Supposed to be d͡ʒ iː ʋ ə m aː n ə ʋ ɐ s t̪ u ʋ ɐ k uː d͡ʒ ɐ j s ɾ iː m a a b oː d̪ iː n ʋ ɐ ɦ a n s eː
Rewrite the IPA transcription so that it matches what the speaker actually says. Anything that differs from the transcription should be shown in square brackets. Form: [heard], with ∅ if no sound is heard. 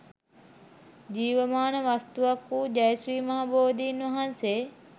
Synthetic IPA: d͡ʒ iː ʋ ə m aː n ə ʋ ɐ s t̪ u ʋ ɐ k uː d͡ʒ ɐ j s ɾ iː m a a b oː d̪ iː n ʋ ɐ ɦ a n s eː

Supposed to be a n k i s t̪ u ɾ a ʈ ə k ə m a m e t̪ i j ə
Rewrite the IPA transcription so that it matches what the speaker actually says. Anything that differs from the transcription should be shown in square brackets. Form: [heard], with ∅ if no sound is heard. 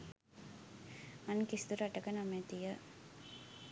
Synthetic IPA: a n k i s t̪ u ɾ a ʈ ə k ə [n] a m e t̪ i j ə

